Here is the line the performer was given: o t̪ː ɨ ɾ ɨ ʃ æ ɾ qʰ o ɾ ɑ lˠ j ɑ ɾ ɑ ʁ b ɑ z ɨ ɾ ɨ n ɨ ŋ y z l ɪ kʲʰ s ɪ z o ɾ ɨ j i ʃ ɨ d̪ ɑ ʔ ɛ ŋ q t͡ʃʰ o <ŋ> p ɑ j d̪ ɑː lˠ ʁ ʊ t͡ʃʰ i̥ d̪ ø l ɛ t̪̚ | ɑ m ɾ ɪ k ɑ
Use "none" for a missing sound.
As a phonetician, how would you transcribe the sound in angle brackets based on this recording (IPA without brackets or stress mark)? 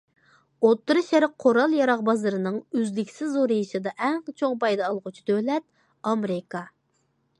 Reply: ŋ